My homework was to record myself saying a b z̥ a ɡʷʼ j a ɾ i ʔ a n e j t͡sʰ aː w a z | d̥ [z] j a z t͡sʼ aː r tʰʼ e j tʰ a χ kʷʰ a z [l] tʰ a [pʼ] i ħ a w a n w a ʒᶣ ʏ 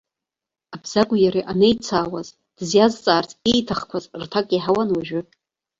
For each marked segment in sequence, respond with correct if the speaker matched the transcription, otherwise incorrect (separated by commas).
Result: correct, incorrect, incorrect